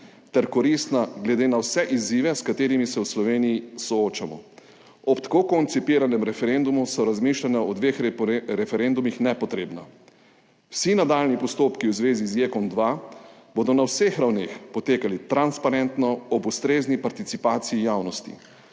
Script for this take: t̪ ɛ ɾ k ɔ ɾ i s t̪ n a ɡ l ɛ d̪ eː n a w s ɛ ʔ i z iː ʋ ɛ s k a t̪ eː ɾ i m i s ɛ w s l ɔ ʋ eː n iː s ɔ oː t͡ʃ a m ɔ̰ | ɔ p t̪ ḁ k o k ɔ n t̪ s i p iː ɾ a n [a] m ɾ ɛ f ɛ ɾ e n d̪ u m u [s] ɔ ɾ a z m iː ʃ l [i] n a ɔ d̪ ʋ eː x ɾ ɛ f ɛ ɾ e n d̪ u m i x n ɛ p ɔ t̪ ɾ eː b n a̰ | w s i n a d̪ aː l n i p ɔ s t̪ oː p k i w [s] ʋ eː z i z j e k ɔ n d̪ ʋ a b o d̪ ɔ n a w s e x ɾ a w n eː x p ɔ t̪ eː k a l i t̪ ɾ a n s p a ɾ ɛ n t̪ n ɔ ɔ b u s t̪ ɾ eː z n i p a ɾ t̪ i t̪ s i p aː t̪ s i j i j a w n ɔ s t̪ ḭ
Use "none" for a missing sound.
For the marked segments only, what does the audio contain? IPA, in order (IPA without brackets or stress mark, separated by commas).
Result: ɛ, s, a, z